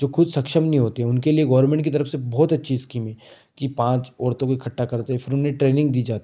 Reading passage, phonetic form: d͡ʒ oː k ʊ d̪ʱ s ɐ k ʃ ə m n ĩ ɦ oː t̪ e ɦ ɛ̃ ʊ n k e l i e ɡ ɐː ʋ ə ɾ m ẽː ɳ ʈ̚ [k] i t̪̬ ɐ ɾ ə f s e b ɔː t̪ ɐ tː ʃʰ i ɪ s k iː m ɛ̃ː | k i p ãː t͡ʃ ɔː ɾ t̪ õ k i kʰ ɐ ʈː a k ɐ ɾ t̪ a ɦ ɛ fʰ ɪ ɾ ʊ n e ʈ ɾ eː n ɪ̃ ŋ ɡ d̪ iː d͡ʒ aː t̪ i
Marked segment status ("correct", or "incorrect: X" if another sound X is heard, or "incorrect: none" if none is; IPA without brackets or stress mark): correct